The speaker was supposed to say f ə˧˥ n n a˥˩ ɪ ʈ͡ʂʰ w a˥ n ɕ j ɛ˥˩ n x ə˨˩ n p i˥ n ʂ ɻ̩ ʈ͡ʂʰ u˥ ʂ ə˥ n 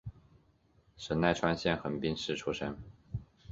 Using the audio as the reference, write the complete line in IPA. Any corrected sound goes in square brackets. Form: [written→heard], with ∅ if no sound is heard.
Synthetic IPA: [f→ʂ] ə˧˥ n n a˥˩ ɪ ʈ͡ʂʰ w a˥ n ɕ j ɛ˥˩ n x ə˨˩ n p i˥ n ʂ ɻ̩ ʈ͡ʂʰ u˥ ʂ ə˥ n

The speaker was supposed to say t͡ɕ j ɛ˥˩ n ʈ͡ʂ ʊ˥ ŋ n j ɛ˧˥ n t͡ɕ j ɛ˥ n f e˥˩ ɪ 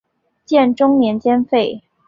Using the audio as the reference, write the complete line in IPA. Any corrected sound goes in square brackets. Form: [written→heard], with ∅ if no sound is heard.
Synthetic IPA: t͡ɕ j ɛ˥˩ n ʈ͡ʂ ʊ˥ ŋ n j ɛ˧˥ n t͡ɕ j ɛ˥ n f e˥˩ ɪ

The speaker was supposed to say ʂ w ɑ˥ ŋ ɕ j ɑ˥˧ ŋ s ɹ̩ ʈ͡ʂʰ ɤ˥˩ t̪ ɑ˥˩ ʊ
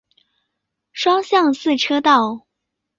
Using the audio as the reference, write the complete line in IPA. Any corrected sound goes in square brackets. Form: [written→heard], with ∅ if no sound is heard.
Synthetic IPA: ʂ w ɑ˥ ŋ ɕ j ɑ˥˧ ŋ s ɹ̩ ʈ͡ʂʰ [ɤ˥˩→ɤ˥] t̪ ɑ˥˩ ʊ

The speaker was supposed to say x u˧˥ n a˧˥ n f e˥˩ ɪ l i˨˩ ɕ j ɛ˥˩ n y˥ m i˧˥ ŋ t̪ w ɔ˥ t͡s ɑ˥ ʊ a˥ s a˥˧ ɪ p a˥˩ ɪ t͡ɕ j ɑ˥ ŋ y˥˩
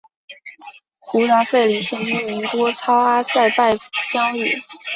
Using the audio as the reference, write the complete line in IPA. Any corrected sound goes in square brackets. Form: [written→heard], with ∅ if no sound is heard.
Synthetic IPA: x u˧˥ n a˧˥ n f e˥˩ ɪ l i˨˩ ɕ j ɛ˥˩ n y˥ m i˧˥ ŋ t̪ w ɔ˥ [t͡s→t͡sʰ] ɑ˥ ʊ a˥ s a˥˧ ɪ p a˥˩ ɪ t͡ɕ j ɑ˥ ŋ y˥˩

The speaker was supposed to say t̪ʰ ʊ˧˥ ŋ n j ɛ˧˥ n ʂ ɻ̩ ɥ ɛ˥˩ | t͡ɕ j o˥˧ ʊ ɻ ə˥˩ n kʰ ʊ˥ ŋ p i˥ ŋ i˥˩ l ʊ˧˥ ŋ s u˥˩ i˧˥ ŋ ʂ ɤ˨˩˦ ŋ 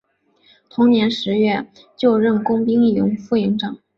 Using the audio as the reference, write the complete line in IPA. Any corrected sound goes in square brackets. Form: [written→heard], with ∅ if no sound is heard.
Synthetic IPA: t̪ʰ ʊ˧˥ ŋ n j ɛ˧˥ n ʂ ɻ̩ ɥ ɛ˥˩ | t͡ɕ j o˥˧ ʊ ɻ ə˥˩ n [kʰ→k] ʊ˥ ŋ p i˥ ŋ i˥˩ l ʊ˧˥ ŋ [s→f] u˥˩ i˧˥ ŋ [ʂ→ʈ͡ʂ] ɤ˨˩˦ ŋ

